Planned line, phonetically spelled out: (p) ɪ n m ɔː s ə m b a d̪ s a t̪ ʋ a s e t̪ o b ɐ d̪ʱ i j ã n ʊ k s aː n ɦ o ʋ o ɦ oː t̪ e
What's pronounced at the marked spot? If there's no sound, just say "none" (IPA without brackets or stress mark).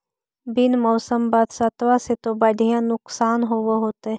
b